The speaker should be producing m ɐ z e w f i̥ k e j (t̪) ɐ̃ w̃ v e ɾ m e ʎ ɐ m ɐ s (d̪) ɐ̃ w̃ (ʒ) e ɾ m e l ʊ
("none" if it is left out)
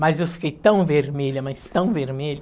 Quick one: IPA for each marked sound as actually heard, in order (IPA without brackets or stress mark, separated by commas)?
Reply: t̪, t̪, v